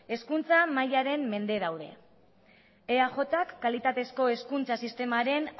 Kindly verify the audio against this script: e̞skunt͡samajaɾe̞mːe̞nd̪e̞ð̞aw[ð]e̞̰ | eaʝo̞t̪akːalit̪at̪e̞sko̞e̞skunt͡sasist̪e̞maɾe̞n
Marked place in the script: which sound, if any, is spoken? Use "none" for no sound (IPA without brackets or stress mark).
ð